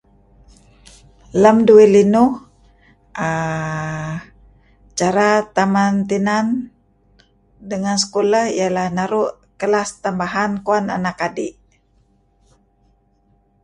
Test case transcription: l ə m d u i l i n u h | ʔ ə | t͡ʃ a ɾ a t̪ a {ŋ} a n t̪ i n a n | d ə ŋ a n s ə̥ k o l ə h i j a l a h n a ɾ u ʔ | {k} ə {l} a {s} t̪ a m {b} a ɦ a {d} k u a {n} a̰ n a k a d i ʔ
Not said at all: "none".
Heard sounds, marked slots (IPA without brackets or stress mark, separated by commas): m, k, l, s, b, n, n